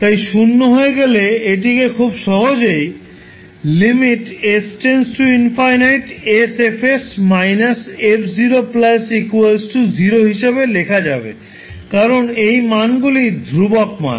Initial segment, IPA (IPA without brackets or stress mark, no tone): t̪